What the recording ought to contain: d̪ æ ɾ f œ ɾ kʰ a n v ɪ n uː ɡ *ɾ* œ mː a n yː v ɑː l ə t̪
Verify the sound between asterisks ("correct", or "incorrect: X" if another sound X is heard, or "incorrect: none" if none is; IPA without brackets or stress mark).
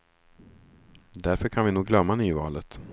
incorrect: l